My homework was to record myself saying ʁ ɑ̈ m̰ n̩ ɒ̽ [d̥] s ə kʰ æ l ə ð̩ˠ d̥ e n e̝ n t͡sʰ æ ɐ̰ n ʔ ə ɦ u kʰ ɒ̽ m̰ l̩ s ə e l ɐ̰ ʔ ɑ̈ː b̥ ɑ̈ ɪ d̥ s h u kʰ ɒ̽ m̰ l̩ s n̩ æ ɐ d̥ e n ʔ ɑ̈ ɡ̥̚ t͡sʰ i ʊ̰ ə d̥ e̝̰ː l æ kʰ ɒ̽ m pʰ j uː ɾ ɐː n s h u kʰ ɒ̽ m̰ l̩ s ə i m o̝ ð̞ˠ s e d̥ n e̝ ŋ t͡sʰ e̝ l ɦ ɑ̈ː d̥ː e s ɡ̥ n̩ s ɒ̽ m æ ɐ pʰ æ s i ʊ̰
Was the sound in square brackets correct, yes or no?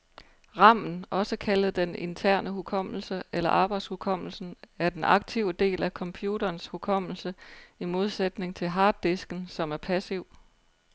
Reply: no